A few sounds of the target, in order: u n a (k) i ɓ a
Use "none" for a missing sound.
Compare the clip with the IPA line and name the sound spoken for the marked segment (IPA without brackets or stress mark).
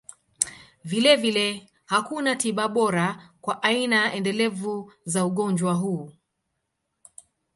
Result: t